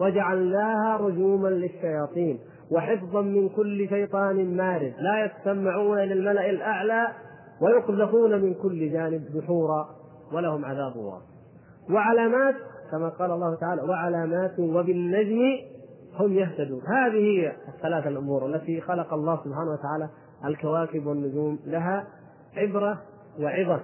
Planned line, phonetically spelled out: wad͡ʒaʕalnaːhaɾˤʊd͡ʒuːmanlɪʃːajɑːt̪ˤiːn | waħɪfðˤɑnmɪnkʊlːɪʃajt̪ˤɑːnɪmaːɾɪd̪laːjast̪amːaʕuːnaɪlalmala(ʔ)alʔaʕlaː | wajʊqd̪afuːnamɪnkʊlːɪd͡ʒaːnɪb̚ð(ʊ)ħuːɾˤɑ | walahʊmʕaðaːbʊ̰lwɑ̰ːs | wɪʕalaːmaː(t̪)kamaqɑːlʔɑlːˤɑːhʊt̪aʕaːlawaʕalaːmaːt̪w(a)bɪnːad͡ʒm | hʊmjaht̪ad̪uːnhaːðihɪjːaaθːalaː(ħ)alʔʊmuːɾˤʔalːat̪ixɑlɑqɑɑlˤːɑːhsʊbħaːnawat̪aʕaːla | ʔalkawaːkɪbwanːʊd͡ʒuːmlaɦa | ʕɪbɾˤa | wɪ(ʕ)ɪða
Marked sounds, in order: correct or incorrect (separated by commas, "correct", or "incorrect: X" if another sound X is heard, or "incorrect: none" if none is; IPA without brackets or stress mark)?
correct, correct, correct, correct, incorrect: θ, correct